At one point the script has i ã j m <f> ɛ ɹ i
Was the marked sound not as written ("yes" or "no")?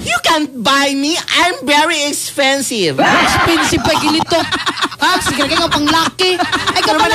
yes